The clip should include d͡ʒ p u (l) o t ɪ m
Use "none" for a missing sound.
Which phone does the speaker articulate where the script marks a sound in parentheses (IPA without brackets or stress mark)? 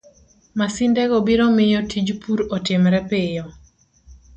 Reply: ɾ